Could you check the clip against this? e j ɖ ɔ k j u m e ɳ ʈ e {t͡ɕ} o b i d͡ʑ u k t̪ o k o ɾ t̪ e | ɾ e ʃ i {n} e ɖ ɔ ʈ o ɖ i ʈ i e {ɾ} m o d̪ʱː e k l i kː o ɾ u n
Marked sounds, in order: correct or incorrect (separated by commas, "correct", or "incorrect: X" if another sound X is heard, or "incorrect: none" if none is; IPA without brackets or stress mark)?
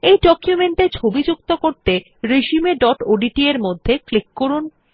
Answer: incorrect: t͡ɕʰ, incorrect: m, correct